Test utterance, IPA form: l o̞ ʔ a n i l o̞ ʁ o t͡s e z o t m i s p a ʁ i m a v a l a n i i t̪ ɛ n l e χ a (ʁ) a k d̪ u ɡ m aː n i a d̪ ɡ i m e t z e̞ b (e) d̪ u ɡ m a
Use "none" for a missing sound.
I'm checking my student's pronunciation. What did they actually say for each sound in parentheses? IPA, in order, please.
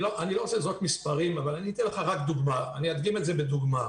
ʁ, e

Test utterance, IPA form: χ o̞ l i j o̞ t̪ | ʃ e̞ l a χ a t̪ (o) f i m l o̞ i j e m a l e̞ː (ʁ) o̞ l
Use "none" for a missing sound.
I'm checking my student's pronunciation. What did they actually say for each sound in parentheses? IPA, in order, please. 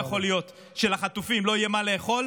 u, χ

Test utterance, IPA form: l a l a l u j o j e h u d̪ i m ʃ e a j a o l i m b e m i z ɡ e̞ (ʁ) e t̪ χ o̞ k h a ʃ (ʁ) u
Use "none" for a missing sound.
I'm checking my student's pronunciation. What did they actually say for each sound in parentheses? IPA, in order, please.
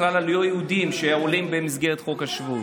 ʁ, v

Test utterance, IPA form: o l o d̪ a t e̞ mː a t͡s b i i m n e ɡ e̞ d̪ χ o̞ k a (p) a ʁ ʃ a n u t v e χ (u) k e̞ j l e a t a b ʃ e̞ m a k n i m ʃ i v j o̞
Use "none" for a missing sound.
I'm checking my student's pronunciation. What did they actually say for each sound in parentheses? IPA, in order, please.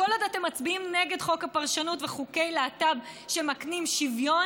p, u

